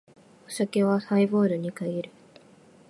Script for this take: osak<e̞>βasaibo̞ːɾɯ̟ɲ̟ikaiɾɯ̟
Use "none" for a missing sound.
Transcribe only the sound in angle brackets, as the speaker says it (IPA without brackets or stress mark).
e̞